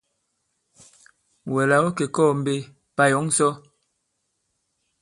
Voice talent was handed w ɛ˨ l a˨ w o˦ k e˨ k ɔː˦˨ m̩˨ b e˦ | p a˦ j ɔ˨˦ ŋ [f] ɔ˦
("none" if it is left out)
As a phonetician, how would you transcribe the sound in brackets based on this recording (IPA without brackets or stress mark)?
s